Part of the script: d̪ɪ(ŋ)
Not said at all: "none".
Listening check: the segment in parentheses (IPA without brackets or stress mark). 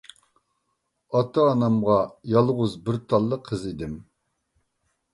m